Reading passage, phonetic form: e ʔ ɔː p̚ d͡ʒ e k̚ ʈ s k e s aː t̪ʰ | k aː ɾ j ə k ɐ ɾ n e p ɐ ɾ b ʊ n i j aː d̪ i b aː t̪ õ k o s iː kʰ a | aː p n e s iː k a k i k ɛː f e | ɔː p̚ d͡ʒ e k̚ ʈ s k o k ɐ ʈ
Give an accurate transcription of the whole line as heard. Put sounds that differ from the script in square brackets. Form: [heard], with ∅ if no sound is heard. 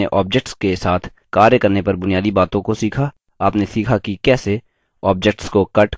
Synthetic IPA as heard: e ʔ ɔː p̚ d͡ʒ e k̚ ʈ s k e s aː t̪ʰ | k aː ɾ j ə k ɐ ɾ n e p ɐ ɾ b ʊ n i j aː d̪ i b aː t̪ õ k o s iː kʰ a | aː p n e s iː [kʰ] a k i k ɛː [s] e | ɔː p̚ d͡ʒ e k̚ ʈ s k o k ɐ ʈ